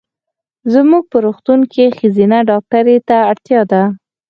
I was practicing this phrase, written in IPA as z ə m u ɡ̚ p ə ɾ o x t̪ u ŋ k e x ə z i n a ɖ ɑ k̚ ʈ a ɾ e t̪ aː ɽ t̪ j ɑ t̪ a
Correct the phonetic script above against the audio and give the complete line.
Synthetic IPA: z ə m u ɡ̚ p ə ɾ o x t̪ u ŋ k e x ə z i n a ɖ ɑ k̚ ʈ a ɾ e t̪ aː ɽ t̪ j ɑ d̪ a